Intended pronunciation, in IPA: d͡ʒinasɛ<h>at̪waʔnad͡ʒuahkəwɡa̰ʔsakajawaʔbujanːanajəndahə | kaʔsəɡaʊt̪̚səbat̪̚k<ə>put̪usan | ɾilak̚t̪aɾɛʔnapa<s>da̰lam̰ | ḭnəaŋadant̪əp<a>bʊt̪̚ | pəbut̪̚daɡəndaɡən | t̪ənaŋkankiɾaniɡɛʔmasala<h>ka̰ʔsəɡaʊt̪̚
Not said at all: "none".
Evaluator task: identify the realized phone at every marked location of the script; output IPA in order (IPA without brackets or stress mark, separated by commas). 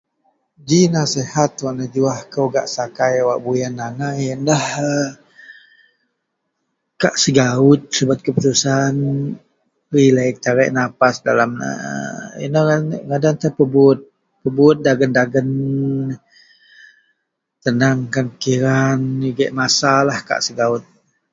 h, ə, s, ə, h